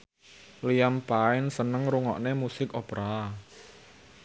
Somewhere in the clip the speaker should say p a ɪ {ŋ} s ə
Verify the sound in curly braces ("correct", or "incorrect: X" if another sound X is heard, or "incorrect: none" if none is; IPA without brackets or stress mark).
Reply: incorrect: n